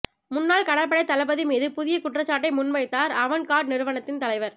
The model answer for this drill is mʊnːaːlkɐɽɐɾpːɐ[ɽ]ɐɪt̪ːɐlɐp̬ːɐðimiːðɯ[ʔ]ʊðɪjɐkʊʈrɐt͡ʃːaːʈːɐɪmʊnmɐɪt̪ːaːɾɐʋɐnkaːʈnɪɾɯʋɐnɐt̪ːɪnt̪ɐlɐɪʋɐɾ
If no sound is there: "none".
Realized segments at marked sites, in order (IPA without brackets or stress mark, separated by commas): ɽ, p